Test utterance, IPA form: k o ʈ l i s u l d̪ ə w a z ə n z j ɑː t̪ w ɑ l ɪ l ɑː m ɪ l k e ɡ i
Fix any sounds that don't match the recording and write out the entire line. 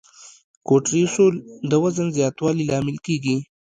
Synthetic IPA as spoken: k o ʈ ɾ i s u l d̪ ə w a z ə n z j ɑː t̪ w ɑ l i l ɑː m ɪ l k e ɡ i